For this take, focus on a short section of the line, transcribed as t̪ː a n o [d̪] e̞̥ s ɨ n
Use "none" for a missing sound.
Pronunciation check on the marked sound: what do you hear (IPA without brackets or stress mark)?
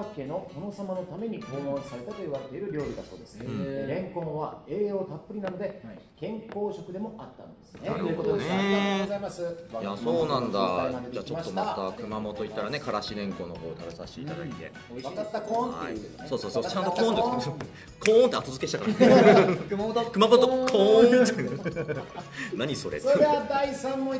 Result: d̪